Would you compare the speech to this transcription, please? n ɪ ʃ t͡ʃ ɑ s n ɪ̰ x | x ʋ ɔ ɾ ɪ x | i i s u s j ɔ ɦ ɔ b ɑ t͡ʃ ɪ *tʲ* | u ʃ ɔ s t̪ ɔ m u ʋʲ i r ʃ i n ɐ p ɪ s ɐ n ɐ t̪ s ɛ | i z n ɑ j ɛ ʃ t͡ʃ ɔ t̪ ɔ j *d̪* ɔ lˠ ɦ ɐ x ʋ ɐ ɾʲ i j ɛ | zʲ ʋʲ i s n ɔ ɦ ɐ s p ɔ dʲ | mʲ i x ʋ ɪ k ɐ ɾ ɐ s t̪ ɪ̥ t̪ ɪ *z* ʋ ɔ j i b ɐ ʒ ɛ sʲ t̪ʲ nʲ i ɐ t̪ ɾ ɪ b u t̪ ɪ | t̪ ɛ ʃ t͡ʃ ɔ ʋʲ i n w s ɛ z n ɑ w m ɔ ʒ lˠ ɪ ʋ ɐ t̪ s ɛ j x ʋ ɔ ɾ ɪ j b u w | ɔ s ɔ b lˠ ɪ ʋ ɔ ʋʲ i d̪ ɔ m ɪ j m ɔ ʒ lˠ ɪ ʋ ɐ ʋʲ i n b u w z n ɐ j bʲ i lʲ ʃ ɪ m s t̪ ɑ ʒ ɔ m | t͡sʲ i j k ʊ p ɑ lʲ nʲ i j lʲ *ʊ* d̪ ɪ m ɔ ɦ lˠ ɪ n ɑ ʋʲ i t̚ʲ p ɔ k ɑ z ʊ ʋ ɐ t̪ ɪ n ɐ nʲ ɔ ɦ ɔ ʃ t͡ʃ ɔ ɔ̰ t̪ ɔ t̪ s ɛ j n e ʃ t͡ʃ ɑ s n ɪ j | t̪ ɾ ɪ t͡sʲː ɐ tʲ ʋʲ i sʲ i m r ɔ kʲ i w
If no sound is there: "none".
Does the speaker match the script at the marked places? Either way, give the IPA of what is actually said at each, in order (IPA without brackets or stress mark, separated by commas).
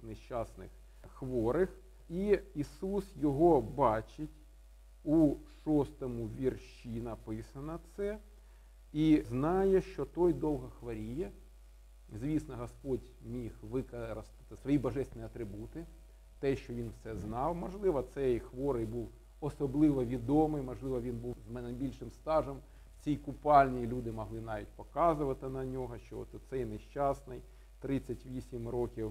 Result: tʲ, d̪, s, u